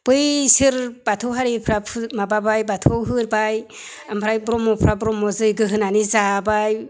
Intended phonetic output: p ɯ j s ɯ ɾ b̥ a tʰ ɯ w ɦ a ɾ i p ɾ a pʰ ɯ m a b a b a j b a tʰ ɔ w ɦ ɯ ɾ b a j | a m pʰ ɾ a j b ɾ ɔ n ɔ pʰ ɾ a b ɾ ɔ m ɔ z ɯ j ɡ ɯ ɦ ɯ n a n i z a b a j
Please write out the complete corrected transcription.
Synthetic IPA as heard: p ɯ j s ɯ ɾ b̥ a tʰ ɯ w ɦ a ɾ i pʰ ɾ a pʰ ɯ m a b a b a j b a tʰ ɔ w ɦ ɯ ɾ b a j | a m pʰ ɾ a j b ɾ ɔ m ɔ pʰ ɾ a b ɾ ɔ m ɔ z ɯ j ɡ ɯ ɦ ɯ n a n i z a b a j